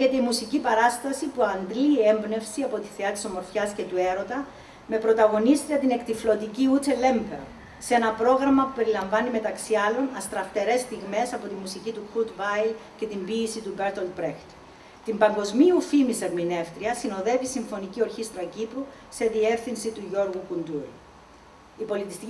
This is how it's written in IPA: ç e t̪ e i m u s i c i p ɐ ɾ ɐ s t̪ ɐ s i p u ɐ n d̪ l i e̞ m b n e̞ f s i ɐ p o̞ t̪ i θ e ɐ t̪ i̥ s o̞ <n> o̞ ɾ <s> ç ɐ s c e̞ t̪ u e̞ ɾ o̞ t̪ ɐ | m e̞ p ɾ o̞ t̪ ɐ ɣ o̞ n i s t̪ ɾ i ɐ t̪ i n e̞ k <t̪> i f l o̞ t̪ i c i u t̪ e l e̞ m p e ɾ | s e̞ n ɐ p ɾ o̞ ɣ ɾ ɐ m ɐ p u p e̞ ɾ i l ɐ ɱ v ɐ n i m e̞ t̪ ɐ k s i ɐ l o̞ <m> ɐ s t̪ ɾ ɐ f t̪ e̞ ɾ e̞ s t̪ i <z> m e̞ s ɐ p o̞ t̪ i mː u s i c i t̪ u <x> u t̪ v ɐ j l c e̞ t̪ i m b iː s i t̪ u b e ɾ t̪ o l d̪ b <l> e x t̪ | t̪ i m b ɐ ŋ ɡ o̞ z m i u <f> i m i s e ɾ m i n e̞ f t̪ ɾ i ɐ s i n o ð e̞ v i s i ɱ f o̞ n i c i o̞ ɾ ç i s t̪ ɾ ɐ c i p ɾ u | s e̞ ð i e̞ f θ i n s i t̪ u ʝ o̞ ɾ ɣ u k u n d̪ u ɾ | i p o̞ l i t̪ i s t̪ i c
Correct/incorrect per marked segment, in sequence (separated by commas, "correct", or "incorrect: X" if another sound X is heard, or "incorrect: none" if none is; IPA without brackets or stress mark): incorrect: m, incorrect: f, correct, incorrect: n, incorrect: ɣ, correct, incorrect: ɾ, correct